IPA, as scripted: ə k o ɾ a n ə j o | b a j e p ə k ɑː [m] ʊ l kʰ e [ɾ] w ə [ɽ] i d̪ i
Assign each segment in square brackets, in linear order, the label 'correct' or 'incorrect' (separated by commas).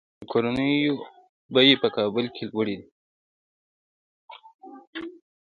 incorrect, incorrect, correct